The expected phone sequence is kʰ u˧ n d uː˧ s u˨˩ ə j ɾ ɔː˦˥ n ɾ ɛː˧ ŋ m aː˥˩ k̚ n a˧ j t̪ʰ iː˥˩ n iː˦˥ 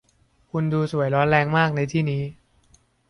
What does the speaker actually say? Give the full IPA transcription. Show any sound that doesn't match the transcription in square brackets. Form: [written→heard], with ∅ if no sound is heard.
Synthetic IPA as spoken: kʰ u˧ n d uː˧ s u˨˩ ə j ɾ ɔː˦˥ n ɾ ɛː˧ ŋ m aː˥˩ k̚ n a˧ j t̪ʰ iː˥˩ n iː˦˥